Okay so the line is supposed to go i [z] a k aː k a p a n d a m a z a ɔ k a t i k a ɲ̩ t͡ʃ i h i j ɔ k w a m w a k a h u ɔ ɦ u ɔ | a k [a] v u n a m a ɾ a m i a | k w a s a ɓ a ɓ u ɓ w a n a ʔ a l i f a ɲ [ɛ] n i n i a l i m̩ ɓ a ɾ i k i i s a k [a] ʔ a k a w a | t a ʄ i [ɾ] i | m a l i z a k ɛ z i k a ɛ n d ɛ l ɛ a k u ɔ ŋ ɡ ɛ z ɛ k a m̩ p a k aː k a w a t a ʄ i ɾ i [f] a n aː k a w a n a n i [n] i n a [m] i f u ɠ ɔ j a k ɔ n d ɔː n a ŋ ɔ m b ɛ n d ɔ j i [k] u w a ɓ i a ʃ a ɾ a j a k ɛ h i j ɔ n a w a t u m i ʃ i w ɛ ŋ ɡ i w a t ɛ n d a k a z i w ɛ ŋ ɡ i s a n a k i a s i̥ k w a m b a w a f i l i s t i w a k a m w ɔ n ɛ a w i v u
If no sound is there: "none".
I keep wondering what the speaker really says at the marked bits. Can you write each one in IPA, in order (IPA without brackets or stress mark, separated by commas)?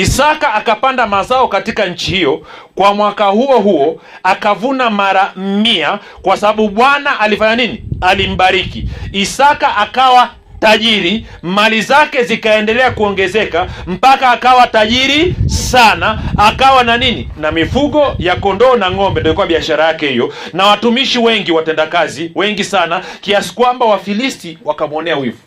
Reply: s, a, a, a, ɾ, s, n, m, k